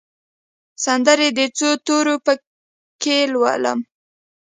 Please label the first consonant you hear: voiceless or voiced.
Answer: voiceless